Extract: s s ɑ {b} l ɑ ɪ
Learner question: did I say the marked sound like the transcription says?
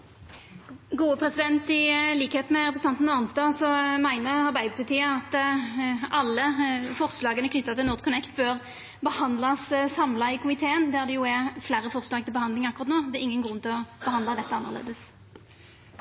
no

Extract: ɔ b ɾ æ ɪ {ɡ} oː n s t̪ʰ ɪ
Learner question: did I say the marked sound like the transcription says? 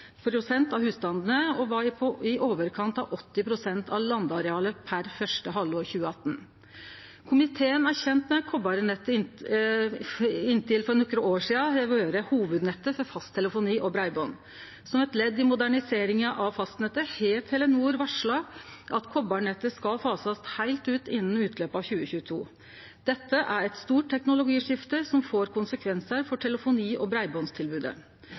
no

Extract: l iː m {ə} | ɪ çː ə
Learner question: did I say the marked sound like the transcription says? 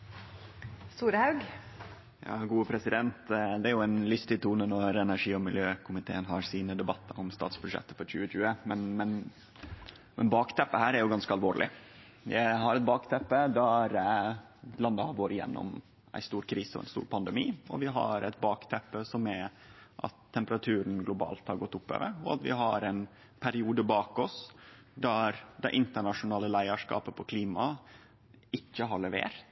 no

